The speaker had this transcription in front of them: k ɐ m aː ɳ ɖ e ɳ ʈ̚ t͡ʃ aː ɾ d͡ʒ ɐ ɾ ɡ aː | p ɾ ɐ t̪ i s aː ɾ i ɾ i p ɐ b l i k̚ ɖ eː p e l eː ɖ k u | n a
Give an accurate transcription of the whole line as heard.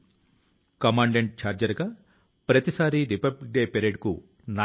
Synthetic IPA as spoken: k ɐ m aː ɳ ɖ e ɳ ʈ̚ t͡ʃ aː ɾ d͡ʒ ɐ ɾ ɡ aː | p ɾ ɐ t̪ i s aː ɾ i ɾ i p ɐ b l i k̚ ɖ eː p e ɾ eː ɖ k u | n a